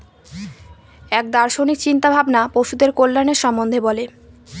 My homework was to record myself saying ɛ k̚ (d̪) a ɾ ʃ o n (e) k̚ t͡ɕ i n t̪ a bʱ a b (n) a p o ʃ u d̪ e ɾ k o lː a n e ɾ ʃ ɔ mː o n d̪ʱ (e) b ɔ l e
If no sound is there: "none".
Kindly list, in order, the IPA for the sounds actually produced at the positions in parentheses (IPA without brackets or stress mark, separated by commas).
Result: d̪, i, n, e